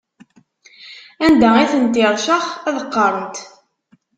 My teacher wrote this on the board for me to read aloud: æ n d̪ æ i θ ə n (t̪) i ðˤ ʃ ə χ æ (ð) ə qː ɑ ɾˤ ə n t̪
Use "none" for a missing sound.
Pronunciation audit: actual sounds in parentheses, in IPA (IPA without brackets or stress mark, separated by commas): t̪, ð